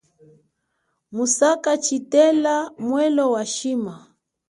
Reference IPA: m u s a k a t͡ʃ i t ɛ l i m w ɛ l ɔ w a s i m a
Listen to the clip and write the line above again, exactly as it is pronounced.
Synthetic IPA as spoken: m u s a k a t͡ʃ i t ɛ l a m w ɛ l ɔ w a ʃ i m a